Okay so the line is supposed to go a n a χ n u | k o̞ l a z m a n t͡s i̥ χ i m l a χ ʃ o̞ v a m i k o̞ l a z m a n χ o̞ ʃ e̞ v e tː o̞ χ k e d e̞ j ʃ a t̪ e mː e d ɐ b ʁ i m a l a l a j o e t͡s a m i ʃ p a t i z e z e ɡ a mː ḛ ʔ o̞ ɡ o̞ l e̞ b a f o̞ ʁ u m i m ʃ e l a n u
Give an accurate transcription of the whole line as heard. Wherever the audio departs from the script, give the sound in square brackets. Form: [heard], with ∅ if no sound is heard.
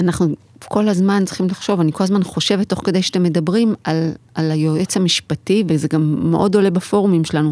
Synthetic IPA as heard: a n a χ n u | k o̞ l a z m a n t͡s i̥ χ i m l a χ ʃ o̞ v a [n] i k o̞ l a z m a n χ o̞ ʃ e̞ v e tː o̞ χ k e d e̞ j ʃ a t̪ e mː e d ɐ b ʁ i m a l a l a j o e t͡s a m i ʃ p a t i [v] e z e ɡ a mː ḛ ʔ o̞ [d] o̞ l e̞ b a f o̞ ʁ u m i m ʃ e l a n u